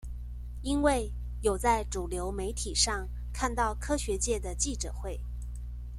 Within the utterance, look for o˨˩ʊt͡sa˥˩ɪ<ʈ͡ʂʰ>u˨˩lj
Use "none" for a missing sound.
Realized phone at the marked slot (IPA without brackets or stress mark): ʈ͡ʂ